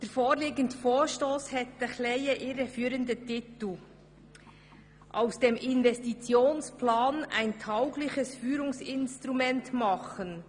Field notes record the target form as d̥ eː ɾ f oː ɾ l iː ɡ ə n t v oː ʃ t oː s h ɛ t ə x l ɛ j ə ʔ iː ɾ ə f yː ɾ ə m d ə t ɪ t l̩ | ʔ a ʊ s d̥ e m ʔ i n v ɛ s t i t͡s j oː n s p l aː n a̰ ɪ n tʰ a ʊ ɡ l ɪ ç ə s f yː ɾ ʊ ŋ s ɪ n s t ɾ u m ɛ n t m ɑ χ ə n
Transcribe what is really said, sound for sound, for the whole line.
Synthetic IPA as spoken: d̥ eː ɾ f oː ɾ l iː ɡ ə n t f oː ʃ t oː s h ɛ t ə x l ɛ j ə ʔ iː ɾ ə f yː ɾ ə n d ə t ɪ t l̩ | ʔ a ʊ s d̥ e m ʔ ɪ n v ɛ s t i t͡s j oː n s p l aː n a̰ ɪ n tʰ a ʊ ɡ l ɪ ç ə s f yː ɾ ʊ ŋ s ɪ n s t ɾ u m ɛ n t m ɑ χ ə n

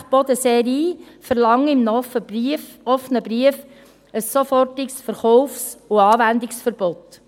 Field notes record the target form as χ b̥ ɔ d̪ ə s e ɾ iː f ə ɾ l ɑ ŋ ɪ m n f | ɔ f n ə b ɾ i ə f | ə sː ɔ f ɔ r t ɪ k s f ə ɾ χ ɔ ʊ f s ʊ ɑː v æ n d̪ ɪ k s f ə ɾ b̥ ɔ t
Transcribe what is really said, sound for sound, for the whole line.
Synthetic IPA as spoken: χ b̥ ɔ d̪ ə s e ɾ iː f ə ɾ l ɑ ŋ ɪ m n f | ɔ f n ə b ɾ i ə f | ə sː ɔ f ɔ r t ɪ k s f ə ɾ χ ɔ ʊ f s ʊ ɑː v æ n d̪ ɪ k s f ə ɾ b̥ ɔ t

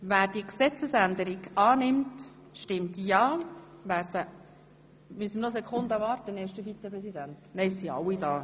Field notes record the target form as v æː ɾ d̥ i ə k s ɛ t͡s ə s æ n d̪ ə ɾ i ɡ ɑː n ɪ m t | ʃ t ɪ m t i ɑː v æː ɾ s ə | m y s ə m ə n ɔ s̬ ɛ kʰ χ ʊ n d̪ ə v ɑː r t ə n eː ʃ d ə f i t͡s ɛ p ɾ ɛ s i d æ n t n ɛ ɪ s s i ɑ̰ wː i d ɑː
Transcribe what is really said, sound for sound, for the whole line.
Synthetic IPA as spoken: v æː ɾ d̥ i ə k s ɛ t͡s ə s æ n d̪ ə ɾ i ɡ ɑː n ɪ m t | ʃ t ɪ m t j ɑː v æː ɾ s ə | m y s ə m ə n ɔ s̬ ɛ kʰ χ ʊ n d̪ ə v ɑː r t ə n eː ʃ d ə f i t͡s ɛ p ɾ ɛ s i d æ n t n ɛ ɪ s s i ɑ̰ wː i d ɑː

